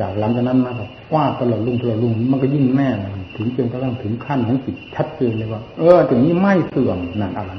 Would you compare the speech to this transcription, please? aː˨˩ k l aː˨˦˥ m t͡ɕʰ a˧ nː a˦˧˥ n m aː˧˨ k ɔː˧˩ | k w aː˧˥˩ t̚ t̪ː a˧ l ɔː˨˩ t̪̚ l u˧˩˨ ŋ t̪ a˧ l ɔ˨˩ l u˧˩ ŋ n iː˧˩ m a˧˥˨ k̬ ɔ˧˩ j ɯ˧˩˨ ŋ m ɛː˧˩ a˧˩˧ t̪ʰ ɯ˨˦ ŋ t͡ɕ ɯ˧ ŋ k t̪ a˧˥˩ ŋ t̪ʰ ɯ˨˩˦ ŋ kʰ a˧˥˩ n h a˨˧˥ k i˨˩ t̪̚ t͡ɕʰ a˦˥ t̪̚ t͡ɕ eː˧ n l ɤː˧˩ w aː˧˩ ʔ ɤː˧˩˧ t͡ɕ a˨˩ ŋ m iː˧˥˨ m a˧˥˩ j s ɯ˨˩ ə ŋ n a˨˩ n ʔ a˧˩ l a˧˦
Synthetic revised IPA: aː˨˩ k l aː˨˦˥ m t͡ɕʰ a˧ n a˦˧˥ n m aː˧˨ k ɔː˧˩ | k w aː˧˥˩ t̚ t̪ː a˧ l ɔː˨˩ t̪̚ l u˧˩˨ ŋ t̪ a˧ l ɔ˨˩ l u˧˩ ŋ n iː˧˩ m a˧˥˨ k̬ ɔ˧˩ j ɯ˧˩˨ ŋ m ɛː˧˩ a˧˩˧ t̪ʰ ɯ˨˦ ŋ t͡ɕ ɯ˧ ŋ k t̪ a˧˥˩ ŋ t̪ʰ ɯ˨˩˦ ŋ kʰ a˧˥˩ n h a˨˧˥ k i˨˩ t̪̚ t͡ɕʰ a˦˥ t̪̚ t͡ɕ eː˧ n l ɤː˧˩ w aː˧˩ ʔ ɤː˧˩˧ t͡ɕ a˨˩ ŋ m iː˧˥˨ m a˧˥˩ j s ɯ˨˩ ə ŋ n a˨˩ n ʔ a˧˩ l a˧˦